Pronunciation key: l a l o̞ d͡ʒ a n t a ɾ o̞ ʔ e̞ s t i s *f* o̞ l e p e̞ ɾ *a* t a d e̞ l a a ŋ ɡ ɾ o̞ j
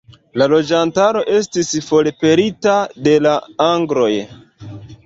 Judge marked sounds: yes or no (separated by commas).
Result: yes, no